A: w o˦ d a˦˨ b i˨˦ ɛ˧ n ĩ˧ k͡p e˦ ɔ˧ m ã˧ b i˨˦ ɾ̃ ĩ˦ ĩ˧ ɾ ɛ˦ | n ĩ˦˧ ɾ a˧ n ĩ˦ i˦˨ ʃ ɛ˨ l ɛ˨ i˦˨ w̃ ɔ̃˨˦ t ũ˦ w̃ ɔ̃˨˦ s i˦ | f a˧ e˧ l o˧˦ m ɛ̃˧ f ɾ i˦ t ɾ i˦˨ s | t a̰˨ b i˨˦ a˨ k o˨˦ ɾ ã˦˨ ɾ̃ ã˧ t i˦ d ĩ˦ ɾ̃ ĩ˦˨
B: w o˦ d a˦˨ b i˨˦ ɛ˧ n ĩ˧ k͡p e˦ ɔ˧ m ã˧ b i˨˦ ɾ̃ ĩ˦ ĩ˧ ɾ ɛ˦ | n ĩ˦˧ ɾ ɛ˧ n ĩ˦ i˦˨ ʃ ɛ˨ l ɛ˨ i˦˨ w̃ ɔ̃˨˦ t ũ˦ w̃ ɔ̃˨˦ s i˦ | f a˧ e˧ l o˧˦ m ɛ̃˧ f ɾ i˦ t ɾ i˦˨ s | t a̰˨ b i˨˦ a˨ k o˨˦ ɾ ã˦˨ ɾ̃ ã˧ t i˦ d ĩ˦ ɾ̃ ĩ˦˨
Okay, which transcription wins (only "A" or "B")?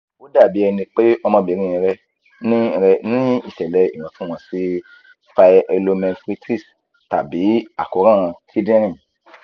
B